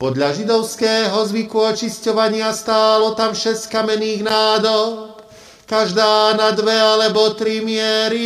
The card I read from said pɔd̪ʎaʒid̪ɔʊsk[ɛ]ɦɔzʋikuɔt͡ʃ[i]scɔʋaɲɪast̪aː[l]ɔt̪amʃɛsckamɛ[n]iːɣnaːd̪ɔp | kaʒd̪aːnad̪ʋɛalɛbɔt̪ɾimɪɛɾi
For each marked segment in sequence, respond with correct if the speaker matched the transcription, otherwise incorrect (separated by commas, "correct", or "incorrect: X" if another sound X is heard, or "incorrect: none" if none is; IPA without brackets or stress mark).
incorrect: ɛː, correct, correct, correct